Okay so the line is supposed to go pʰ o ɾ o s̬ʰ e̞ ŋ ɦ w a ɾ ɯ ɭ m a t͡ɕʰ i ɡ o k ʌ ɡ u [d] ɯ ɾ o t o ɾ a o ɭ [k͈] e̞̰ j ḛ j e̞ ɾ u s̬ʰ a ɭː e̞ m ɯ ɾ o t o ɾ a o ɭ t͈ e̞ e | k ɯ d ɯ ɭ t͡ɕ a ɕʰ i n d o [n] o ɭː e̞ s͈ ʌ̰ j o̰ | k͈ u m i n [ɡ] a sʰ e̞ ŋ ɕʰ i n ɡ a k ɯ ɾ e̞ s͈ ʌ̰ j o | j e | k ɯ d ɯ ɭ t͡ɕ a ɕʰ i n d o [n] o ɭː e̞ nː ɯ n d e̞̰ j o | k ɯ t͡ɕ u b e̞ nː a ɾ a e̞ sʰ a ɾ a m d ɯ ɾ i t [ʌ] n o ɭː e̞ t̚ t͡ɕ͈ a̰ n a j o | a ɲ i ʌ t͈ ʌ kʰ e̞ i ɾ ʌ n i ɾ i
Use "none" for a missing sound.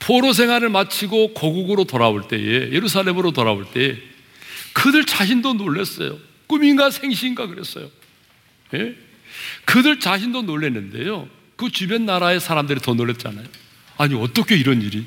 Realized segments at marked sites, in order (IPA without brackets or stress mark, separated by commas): ɡ, t͈, n, ɡ, n, ʌ